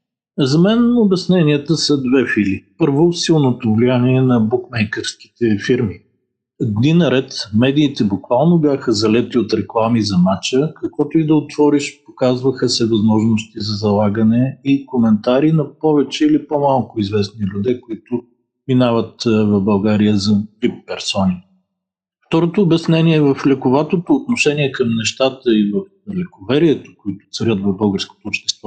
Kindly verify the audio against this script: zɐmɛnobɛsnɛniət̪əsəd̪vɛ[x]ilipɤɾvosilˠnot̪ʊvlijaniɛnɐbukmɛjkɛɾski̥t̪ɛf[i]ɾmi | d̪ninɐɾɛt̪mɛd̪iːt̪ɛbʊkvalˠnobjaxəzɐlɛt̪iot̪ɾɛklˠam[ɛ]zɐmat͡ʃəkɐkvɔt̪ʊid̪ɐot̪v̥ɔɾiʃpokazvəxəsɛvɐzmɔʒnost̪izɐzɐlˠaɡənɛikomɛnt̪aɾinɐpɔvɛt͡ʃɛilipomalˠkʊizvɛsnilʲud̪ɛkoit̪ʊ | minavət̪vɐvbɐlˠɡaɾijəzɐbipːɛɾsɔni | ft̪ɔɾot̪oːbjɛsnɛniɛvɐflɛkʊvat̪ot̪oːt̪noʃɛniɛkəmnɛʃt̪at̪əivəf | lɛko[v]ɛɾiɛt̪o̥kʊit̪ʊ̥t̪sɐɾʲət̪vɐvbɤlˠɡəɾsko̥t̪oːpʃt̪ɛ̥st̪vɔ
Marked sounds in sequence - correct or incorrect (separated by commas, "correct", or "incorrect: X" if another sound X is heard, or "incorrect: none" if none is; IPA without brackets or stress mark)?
incorrect: f, correct, incorrect: i, correct